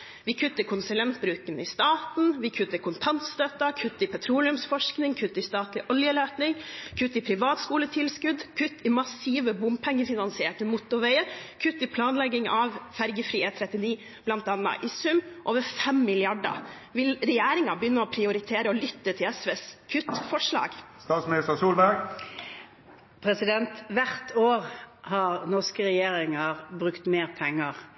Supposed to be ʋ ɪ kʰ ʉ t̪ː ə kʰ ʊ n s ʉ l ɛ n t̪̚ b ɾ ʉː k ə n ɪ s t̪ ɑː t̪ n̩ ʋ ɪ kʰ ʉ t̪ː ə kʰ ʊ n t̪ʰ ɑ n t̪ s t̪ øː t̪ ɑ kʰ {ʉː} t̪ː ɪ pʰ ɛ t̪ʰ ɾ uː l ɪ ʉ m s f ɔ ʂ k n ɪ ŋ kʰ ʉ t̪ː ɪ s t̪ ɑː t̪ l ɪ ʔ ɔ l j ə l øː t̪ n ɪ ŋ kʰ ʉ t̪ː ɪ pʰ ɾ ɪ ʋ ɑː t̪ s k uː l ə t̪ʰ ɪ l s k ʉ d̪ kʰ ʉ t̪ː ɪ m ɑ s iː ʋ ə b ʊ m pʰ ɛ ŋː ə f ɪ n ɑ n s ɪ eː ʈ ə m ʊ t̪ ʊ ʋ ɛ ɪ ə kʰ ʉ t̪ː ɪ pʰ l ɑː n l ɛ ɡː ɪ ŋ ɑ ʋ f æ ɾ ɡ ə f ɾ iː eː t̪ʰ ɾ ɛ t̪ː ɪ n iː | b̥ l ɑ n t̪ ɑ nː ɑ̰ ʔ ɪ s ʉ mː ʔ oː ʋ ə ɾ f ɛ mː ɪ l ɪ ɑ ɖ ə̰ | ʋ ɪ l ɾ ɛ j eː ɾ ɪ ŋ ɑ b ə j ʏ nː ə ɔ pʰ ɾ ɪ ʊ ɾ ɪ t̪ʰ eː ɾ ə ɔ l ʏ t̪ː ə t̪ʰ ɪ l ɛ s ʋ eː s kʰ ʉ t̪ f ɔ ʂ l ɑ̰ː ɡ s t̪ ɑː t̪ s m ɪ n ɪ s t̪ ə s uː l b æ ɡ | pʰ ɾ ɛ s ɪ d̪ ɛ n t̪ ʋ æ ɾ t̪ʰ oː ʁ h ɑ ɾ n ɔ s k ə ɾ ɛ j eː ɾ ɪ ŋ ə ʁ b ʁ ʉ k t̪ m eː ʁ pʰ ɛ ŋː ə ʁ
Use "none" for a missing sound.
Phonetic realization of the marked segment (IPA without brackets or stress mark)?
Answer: ʉ